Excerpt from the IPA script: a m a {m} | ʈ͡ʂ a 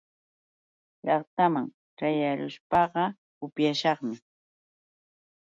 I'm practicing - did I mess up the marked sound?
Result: yes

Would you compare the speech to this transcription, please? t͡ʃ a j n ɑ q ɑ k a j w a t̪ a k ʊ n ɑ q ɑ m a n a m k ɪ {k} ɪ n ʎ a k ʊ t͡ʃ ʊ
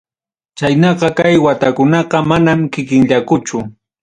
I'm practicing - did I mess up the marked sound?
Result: no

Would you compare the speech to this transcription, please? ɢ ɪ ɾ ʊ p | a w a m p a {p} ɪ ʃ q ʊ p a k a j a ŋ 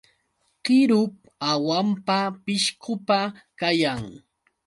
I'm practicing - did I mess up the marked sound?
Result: no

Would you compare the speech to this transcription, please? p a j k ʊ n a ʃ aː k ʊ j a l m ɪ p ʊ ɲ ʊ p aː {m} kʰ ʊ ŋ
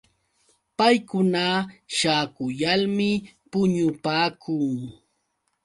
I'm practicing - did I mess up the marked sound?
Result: yes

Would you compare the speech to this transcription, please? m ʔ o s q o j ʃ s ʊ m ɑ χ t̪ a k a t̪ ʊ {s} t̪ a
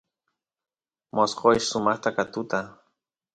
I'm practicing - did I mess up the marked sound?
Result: yes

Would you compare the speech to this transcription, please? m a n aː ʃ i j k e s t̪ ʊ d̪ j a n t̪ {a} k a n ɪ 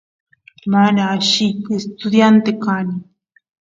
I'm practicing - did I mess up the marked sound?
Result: yes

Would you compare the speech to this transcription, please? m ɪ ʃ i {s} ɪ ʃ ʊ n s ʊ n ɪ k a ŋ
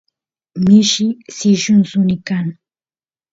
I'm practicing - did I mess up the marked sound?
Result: no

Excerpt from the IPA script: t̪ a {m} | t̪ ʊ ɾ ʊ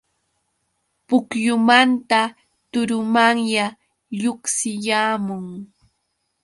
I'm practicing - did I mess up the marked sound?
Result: yes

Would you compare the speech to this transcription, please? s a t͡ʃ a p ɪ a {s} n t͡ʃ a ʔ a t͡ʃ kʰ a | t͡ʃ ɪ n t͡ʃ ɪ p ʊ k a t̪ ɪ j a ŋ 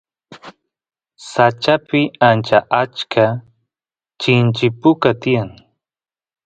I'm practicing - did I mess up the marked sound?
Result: yes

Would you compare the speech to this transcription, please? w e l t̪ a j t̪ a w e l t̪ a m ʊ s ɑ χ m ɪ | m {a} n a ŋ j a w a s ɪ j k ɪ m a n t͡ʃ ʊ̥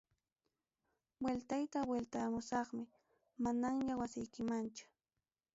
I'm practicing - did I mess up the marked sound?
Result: no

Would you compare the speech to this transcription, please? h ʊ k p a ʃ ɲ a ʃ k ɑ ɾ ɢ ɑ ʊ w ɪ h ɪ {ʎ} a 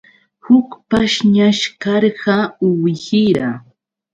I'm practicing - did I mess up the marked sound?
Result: yes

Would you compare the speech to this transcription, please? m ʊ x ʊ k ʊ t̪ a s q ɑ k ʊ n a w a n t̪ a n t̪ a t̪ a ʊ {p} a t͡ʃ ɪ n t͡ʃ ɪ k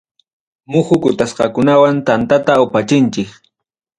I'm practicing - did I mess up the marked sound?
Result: no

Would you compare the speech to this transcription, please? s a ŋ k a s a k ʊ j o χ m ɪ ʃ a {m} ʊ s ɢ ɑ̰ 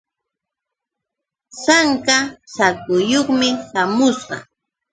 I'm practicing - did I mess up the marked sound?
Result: no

